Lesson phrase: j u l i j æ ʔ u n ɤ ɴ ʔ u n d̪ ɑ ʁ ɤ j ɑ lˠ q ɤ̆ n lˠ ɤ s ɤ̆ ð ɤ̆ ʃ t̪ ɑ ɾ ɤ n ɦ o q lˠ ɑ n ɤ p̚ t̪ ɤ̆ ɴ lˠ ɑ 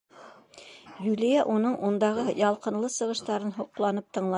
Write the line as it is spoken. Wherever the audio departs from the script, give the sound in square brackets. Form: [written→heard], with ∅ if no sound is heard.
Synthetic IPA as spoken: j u l i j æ ʔ u n ɤ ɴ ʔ u n d̪ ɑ ʁ ɤ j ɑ lˠ q ɤ̆ n lˠ ɤ s ɤ̆ [ð→ʁ] ɤ̆ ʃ t̪ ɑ ɾ ɤ n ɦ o q lˠ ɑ n ɤ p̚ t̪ ɤ̆ ɴ lˠ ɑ